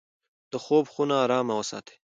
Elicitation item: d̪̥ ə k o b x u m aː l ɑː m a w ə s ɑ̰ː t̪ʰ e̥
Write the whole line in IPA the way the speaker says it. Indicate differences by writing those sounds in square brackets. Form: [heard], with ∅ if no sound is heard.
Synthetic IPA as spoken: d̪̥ ə [x] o b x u [n] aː [ɾ] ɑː m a w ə s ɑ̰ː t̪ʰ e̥